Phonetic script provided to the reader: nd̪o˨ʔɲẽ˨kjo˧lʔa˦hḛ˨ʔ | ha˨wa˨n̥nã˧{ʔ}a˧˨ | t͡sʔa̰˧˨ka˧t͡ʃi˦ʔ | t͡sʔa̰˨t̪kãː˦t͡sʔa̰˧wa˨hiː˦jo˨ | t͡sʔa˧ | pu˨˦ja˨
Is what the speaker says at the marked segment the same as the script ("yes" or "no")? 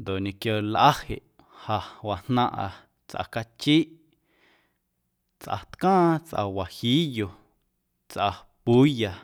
yes